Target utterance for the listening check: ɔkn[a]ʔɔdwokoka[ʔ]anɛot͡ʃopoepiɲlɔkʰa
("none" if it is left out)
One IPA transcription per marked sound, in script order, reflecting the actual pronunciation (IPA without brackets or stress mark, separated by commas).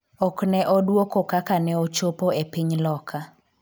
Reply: ɛ, k